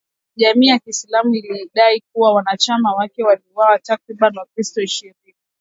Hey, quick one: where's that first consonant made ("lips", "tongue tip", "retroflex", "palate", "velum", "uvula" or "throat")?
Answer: palate